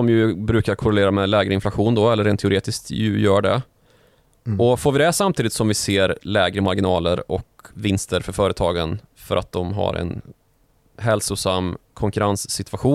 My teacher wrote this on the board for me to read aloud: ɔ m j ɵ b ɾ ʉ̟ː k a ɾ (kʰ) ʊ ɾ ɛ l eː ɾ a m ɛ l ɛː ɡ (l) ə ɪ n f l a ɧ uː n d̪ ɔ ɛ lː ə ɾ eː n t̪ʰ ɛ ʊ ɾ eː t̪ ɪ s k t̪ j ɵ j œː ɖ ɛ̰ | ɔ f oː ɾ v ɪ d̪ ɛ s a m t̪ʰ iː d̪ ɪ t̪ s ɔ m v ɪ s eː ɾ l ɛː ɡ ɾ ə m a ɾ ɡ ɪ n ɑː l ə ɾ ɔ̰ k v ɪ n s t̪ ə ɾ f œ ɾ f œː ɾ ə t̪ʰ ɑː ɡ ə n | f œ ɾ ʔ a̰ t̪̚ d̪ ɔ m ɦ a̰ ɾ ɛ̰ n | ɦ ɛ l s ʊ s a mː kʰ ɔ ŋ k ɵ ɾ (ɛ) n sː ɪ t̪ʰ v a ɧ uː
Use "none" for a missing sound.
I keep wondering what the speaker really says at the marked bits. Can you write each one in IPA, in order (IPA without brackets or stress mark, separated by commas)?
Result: kʰ, ɾ, a